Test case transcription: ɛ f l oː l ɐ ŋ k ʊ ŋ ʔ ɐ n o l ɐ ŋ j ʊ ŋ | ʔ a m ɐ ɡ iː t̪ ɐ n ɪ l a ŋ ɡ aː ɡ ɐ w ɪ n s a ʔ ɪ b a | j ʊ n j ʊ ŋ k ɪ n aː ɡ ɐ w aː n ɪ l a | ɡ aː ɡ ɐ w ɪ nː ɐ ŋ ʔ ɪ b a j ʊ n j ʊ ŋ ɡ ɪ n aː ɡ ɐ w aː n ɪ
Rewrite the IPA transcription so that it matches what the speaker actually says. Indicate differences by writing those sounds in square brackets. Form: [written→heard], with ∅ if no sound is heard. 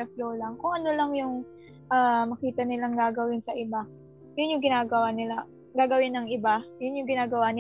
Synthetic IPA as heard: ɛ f l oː l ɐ ŋ k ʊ ŋ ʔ ɐ n o l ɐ ŋ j ʊ ŋ | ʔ a m ɐ [ɡ→k] iː t̪ ɐ n ɪ l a ŋ ɡ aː ɡ ɐ w ɪ n s [a→ɐ] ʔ ɪ b a | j ʊ n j ʊ ŋ [k→ɡ] ɪ n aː ɡ ɐ w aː n ɪ l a | ɡ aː ɡ ɐ w ɪ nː ɐ ŋ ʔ ɪ b a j ʊ n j ʊ ŋ ɡ ɪ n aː ɡ ɐ w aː n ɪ